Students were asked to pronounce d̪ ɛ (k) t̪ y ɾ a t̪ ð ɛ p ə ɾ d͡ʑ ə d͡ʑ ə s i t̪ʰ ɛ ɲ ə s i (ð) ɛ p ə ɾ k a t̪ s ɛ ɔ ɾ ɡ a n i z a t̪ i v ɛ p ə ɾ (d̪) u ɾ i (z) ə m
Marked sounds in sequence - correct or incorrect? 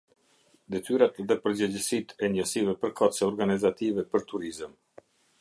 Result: incorrect: none, incorrect: v, incorrect: t̪, correct

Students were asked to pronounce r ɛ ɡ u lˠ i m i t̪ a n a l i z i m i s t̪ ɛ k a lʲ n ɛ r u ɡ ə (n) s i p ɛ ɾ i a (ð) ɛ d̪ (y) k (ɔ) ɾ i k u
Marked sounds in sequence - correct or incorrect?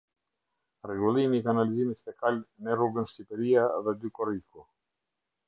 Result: correct, correct, correct, correct

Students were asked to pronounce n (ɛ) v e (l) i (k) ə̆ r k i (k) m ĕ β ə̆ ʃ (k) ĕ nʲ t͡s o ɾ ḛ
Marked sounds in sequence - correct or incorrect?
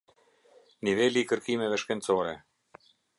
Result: incorrect: i, correct, correct, incorrect: none, correct

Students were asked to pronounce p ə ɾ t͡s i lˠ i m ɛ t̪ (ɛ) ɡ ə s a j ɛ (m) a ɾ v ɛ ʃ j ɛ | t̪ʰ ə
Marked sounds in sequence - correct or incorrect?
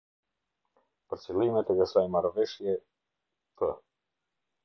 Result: correct, correct

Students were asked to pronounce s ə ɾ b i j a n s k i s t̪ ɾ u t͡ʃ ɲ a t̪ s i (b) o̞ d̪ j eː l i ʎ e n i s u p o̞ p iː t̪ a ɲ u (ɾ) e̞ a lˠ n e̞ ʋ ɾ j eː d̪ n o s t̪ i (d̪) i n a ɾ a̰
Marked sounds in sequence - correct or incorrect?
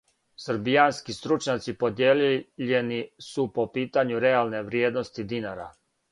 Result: incorrect: p, correct, correct

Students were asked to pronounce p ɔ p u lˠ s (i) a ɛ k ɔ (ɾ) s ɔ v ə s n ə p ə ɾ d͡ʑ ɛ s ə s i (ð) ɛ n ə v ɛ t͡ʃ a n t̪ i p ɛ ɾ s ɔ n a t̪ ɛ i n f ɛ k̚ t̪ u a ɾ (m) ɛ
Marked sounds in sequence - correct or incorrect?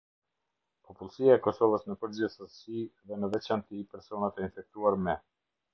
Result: correct, incorrect: none, correct, correct

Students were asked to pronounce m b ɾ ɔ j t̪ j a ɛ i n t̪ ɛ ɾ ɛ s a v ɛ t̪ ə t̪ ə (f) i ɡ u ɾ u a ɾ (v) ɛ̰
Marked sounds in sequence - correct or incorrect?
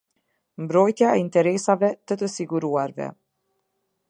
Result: incorrect: s, correct

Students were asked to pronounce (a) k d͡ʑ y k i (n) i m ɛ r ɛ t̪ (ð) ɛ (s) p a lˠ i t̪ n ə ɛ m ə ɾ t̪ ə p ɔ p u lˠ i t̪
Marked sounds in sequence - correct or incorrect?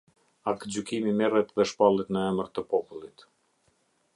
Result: correct, incorrect: m, correct, incorrect: ʃ

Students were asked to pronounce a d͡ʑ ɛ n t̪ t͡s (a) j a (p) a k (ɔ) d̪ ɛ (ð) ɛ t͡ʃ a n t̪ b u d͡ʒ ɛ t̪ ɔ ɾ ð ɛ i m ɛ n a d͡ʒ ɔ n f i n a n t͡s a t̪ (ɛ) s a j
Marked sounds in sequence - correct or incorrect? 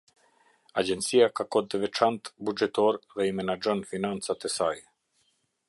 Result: incorrect: i, incorrect: k, correct, incorrect: v, correct

